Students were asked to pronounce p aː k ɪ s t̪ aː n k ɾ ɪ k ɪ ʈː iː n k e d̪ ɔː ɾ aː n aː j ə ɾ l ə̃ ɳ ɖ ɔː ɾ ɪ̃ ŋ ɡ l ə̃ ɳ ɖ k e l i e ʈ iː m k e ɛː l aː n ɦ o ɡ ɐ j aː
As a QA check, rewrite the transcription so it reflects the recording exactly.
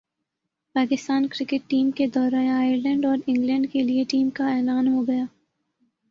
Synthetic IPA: p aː k ɪ s t̪ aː n k ɾ ɪ k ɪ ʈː iː m k e d̪ ɔː ɾ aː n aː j ə ɾ l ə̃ ɳ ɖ ɔː ɾ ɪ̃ ŋ ɡ l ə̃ ɳ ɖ k e l i e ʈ iː m k a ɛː l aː n ɦ o ɡ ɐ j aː